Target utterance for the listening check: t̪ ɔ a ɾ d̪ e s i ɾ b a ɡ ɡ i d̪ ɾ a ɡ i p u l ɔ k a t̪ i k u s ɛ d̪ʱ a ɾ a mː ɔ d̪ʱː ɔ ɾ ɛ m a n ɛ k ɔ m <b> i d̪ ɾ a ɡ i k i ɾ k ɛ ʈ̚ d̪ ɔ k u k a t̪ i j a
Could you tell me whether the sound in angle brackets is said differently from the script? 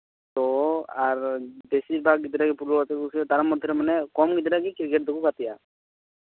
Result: yes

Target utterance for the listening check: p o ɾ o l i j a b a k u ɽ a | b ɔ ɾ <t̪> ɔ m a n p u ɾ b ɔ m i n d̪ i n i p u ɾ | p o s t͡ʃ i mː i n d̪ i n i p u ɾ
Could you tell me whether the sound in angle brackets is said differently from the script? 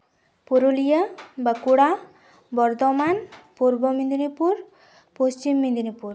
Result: yes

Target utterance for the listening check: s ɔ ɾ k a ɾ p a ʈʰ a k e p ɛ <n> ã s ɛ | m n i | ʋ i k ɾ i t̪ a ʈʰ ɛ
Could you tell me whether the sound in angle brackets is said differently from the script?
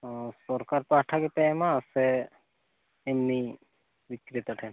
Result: yes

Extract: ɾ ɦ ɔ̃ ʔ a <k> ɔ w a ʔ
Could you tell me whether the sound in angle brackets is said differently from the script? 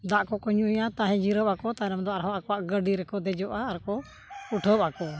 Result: no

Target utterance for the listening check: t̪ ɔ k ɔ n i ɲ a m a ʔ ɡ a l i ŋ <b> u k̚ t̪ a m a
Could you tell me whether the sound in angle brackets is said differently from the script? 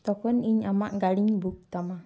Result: no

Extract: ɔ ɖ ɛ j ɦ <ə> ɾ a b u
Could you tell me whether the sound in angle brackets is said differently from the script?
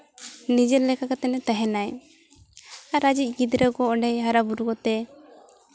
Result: yes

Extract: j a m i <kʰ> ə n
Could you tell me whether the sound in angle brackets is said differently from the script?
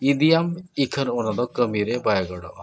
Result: no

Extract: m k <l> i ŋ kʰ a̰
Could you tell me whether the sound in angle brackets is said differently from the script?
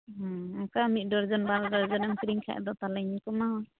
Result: yes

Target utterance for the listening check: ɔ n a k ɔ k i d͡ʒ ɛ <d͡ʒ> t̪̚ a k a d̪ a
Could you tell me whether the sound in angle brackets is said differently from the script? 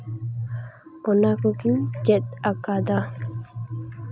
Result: yes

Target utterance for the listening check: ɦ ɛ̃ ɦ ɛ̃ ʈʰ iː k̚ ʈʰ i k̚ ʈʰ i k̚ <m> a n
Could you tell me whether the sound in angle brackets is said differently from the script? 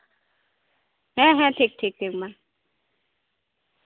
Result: no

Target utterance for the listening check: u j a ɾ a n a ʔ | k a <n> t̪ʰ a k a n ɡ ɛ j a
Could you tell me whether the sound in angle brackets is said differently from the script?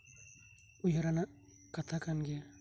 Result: yes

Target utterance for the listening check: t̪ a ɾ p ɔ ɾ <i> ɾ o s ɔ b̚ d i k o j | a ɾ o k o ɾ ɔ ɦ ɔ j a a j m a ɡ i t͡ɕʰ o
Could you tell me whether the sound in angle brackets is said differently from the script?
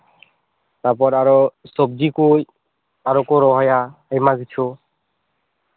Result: yes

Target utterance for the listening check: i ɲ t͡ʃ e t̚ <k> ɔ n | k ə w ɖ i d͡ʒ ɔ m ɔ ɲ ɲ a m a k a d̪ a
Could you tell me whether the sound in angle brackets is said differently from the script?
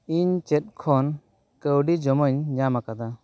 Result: yes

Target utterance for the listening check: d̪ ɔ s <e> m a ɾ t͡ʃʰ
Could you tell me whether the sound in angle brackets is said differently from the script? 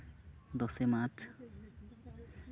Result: no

